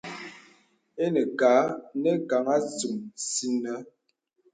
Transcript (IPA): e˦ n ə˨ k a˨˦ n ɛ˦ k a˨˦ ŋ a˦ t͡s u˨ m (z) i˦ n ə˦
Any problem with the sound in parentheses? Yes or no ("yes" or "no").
yes